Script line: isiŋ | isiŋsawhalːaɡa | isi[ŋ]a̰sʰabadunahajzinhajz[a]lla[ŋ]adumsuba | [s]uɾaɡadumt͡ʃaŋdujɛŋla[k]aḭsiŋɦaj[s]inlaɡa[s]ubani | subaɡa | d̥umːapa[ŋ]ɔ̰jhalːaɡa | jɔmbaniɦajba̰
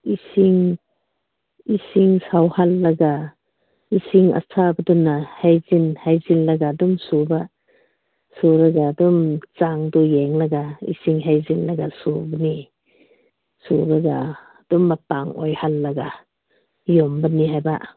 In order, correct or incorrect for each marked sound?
correct, incorrect: i, incorrect: ɡ, correct, incorrect: ɡ, incorrect: z, correct, correct

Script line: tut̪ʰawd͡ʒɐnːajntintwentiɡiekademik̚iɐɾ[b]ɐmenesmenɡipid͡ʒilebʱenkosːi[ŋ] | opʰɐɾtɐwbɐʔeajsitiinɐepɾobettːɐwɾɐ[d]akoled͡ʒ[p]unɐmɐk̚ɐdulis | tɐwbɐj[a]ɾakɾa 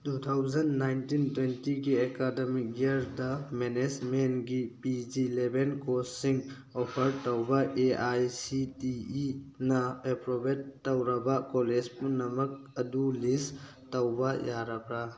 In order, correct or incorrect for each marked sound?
incorrect: d, correct, incorrect: b, correct, correct

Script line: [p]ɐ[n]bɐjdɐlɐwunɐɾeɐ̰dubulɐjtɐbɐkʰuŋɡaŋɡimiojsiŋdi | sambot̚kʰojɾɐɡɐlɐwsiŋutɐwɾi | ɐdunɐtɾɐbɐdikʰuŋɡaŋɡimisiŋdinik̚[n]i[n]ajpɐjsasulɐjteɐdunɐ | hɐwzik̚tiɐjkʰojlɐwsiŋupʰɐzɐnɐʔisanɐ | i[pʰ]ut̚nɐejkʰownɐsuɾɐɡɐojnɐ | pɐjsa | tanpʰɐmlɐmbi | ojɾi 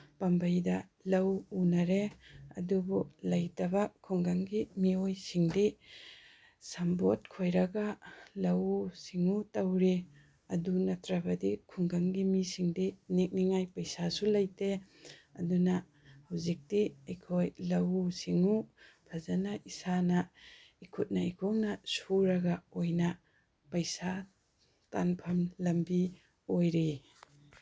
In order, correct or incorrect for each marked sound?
correct, incorrect: m, correct, incorrect: ŋ, incorrect: kʰ

